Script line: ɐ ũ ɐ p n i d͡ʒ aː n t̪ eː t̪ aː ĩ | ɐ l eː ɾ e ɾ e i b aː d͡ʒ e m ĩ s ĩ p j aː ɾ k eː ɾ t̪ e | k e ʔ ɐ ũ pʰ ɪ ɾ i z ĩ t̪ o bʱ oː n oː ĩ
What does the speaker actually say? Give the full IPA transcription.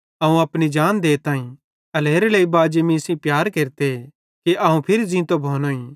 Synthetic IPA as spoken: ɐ ũ ɐ p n i d͡ʒ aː n d̪ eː t̪ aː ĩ | ɐ l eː ɾ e l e i b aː d͡ʒ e m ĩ s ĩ p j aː ɾ k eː ɾ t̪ e | k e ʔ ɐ ũ pʰ ɪ ɾ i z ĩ t̪ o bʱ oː n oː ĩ

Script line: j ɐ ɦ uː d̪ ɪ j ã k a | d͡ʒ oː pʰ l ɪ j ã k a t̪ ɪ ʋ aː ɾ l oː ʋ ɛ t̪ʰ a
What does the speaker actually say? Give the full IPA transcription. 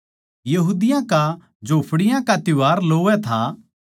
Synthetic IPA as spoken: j ɐ ɦ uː d̪ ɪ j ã k a | d͡ʒ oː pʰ ɽ ɪ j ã k a t̪ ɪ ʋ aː ɾ l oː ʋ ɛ t̪ʰ a

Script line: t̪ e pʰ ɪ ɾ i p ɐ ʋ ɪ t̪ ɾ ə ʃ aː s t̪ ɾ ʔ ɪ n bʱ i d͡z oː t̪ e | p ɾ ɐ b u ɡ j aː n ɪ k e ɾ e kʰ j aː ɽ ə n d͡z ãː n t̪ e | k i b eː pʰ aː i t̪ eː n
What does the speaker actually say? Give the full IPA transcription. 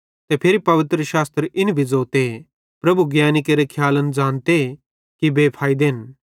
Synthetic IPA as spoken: t̪ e pʰ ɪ ɾ i p ɐ ʋ ɪ t̪ ɾ ə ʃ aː s t̪ ɾ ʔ ɪ n bʱ i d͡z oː t̪ e | p ɾ ɐ b u ɡ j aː n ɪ k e ɾ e kʰ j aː l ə n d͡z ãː n t̪ e | k i b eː pʰ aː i d̪ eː n

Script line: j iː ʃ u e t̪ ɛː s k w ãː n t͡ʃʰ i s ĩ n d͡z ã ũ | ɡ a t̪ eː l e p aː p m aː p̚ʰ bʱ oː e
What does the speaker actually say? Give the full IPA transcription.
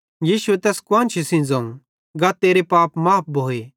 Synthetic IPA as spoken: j iː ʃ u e t̪ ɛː s k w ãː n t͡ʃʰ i s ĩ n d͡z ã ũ | ɡ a t̪ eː ɾ e p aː p m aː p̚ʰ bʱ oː e

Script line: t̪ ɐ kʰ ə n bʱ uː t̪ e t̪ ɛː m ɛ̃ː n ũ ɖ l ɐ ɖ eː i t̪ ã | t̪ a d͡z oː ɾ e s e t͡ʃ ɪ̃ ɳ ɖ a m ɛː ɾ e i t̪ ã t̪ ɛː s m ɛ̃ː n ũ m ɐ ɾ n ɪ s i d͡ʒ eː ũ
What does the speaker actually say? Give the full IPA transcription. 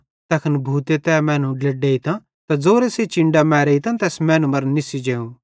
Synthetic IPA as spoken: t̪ ɐ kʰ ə n bʱ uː t̪ e t̪ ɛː m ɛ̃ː n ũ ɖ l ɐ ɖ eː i t̪ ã | t̪ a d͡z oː ɾ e s e t͡ʃ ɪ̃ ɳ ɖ a m ɛː ɾ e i t̪ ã t̪ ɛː s m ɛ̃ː n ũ m ɐ ɾ n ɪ s i d͡ʒ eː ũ

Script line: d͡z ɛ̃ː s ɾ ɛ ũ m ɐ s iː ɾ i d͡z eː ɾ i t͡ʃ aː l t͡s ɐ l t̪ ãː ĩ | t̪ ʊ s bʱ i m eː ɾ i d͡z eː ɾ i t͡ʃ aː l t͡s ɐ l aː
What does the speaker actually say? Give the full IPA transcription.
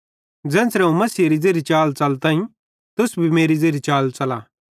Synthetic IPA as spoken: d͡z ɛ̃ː s ɾ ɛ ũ m ɐ s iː ɾ i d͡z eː ɾ i t͡ʃ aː l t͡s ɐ l t̪ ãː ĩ | t̪ ʊ s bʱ i m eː ɾ i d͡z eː ɾ i t͡ʃ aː l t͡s ɐ l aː

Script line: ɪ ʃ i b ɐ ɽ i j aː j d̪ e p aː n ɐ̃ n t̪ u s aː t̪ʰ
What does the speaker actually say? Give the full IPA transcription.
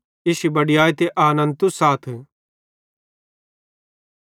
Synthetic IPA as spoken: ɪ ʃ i b ɐ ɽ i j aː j t̪ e ʔ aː n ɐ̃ n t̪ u s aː t̪ʰ

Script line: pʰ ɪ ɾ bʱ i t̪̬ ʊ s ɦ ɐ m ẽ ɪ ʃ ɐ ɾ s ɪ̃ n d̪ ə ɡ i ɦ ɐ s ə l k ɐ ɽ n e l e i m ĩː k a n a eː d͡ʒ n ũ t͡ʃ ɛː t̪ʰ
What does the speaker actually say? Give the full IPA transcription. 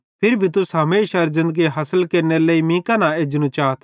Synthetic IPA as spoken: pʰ ɪ ɾ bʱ i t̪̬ ʊ s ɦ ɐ m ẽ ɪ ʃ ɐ ɾ z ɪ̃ n d̪ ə ɡ i ɦ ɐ s ə l k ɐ ɾ n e l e i m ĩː k a n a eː d͡ʒ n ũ t͡ʃ aː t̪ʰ

